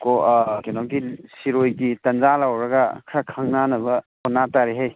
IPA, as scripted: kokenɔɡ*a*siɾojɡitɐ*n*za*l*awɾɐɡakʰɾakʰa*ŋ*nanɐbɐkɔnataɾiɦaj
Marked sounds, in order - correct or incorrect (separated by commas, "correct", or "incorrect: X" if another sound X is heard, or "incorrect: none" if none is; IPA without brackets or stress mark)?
incorrect: i, correct, correct, correct